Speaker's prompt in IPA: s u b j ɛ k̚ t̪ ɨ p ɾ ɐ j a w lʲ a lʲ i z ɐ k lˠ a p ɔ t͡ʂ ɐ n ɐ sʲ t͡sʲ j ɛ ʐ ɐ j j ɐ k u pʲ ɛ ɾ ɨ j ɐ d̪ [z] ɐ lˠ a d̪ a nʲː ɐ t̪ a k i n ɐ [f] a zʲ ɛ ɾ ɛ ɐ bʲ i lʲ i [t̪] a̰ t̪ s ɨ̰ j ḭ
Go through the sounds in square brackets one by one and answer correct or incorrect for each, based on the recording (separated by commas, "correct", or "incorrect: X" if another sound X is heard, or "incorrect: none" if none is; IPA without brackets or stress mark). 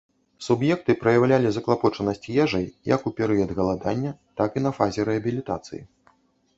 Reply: incorrect: ɣ, correct, correct